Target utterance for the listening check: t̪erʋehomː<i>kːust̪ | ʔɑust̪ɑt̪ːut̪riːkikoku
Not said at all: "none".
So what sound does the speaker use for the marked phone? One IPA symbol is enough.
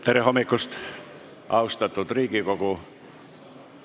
i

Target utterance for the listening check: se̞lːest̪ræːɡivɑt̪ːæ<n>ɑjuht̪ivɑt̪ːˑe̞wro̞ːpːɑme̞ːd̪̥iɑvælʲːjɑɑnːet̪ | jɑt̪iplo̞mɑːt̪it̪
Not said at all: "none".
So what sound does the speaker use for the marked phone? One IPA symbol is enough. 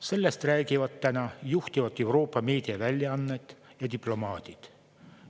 n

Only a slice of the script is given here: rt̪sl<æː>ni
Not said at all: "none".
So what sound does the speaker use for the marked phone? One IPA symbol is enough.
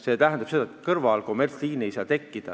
iː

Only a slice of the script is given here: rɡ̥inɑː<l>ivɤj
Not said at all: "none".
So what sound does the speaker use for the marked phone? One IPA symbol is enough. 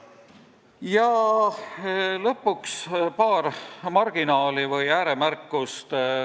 l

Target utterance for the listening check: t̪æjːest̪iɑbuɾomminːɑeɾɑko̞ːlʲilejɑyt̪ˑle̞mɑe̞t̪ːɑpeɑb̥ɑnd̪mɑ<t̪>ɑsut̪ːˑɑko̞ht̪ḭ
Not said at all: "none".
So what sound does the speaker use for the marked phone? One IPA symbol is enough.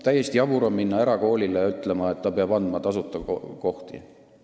t̪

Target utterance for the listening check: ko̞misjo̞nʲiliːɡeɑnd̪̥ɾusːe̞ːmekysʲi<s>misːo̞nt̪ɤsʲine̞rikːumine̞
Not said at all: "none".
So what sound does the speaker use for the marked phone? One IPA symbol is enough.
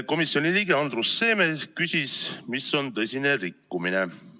s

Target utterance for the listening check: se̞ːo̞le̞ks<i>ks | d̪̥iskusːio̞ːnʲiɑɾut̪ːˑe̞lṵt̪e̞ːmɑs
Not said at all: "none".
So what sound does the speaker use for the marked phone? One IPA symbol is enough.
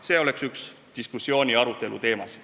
y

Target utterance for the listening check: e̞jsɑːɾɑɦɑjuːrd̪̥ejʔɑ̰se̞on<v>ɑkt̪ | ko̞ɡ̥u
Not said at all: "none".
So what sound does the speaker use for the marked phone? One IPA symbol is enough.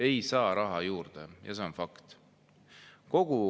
f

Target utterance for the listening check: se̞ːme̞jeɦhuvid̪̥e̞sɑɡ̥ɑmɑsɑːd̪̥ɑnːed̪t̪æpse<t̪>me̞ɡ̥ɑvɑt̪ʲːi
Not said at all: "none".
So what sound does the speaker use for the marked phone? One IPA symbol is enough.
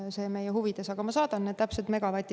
t̪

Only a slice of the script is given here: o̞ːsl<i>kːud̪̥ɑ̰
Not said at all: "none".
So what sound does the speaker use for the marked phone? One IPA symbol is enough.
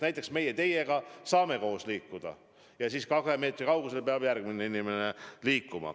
iː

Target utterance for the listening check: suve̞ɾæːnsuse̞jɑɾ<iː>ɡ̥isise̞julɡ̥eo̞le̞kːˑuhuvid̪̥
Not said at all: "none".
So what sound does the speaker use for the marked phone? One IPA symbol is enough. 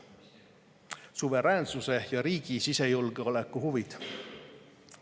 iː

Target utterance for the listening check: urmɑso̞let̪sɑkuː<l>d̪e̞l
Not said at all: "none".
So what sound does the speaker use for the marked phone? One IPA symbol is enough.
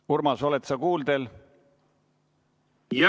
l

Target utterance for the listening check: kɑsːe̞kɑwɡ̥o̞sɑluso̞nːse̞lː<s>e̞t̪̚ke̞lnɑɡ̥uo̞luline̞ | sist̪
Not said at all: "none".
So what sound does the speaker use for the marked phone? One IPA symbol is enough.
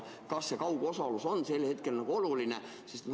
h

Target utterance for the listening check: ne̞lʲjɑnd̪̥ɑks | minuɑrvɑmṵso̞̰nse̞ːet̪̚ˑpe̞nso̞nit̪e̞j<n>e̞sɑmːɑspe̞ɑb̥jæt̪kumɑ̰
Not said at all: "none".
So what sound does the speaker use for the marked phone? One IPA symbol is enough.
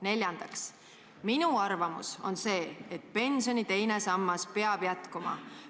n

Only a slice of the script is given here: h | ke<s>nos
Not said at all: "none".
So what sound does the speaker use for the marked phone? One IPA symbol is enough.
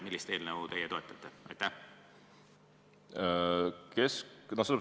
s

